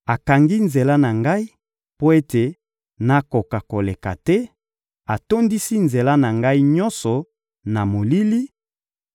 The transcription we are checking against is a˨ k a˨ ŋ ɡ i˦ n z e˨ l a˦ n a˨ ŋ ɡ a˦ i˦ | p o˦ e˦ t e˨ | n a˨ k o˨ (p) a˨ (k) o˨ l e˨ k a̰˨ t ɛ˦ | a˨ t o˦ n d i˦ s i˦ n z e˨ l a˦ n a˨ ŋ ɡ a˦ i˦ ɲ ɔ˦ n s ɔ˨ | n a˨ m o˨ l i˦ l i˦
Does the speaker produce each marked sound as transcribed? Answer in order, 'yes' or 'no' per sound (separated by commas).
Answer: no, yes